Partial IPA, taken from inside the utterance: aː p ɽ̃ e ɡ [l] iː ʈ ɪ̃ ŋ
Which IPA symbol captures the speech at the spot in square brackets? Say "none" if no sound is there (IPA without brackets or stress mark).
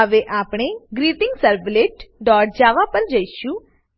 ɾ